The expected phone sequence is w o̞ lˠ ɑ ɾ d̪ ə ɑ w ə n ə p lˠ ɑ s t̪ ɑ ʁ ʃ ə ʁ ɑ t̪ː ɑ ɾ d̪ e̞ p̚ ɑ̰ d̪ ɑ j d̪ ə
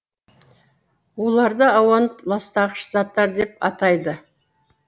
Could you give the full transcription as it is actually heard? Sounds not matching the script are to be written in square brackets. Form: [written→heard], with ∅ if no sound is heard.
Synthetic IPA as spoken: w o̞ lˠ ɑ ɾ d̪ ə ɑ w [ə→ɑ] n ə p lˠ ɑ s t̪ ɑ ʁ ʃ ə [ʁ→z] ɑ t̪ː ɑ ɾ d̪ e̞ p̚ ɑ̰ [d̪→t̪] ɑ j d̪ ə